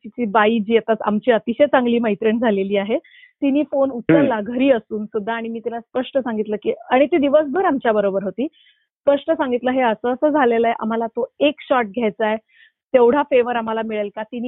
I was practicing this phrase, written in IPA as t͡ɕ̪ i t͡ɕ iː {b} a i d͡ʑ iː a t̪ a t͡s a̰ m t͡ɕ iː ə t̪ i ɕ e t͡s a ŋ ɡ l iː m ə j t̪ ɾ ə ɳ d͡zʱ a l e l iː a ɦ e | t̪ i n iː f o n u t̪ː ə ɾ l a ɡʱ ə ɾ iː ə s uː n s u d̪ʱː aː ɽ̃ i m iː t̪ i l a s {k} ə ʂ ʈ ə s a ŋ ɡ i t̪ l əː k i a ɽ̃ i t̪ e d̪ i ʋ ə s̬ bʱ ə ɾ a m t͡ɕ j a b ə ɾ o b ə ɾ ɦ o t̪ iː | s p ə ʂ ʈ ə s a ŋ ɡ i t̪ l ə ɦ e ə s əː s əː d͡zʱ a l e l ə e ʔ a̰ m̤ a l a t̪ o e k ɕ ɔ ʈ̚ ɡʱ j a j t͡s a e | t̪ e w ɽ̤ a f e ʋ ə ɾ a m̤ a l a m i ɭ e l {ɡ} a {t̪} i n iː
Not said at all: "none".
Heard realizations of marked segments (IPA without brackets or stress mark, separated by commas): b, p, k, t̪